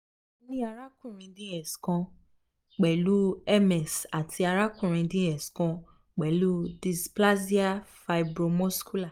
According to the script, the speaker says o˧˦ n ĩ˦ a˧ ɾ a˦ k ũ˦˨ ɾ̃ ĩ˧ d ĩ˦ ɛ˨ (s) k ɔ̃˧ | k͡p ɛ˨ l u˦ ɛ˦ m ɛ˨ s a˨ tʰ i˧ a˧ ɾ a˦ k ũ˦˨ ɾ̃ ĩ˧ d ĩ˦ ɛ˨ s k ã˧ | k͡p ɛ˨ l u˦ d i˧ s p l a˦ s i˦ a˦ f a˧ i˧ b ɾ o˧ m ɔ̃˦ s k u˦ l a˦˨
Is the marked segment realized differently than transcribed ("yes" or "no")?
no